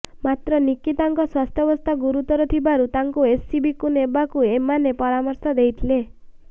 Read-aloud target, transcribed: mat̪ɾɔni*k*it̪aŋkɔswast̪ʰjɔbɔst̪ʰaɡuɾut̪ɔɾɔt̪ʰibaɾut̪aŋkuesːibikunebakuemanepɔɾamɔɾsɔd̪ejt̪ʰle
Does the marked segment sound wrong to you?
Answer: no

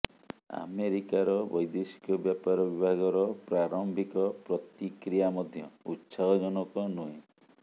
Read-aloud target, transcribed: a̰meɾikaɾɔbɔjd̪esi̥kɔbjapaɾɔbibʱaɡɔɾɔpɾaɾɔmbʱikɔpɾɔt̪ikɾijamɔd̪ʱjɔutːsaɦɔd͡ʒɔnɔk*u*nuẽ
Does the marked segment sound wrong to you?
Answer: yes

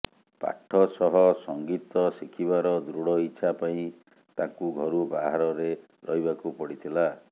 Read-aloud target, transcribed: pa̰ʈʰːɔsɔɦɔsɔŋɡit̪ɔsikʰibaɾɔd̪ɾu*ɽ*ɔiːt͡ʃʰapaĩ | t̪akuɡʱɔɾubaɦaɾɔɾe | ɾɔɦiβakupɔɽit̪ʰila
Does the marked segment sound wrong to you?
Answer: no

